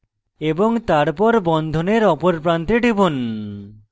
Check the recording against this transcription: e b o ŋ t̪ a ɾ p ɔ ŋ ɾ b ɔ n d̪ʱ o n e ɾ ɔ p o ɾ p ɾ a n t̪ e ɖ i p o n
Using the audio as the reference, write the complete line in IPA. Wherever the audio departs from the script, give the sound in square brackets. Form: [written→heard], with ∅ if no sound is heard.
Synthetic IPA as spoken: e b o ŋ t̪ a ɾ p ɔ [ŋ→∅] ɾ b ɔ n d̪ʱ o n e ɾ ɔ p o ɾ p ɾ a n t̪ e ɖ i [p→b] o n